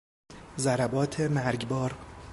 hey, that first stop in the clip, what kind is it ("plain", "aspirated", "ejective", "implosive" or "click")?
plain